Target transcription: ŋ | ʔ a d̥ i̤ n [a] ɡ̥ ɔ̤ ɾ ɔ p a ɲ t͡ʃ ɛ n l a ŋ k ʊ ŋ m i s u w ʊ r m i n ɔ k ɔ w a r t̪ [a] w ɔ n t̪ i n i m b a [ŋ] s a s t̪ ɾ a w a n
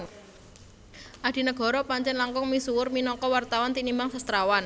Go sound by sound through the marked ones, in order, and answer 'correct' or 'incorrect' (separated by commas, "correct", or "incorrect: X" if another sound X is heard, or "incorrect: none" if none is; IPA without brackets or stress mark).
incorrect: ə, correct, correct